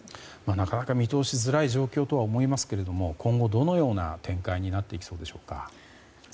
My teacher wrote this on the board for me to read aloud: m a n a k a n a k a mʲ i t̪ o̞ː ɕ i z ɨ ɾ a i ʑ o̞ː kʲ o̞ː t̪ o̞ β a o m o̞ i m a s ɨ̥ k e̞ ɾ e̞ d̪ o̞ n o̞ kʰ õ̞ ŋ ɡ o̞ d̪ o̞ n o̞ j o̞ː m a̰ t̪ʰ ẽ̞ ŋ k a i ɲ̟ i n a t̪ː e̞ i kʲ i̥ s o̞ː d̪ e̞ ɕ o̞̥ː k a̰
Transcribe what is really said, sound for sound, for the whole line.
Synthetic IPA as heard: m a n a k a n a k a mʲ i t̪ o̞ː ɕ i z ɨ ɾ a i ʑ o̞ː kʲ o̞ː t̪ o̞ β a o m o̞ i m a s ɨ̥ k e̞ ɾ e̞ d̪ o̞ m o̞ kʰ õ̞ ŋ ɡ o̞ d̪ o̞ n o̞ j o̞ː n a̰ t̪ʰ ẽ̞ ŋ k a i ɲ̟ i n a t̪ː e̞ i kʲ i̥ s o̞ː d̪ e̞ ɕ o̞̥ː k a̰